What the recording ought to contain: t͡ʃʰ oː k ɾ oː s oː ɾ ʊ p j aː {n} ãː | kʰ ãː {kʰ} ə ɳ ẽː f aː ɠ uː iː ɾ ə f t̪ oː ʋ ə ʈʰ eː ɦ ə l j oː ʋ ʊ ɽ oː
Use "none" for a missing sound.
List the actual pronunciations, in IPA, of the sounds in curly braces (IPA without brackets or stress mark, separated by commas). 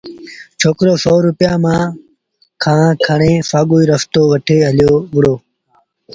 m, kʰ